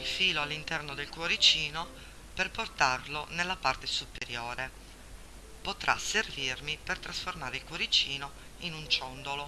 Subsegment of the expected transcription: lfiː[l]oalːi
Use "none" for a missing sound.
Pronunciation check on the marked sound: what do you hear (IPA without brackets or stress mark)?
l